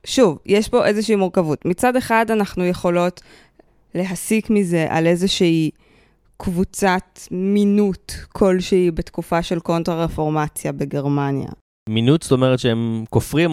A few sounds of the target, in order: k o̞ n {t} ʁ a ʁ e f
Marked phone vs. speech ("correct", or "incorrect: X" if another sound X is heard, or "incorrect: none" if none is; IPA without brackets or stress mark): correct